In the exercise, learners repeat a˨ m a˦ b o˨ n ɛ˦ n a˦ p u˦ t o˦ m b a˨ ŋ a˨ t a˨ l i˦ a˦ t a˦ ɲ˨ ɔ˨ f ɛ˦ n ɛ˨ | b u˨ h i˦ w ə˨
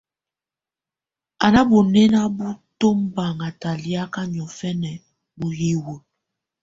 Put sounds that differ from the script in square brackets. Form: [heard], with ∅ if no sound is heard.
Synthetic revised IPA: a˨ [n] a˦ b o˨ n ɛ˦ n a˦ [b] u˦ t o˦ m b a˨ ŋ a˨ t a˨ l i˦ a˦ [k] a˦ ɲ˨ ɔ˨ f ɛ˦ n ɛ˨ | b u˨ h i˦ w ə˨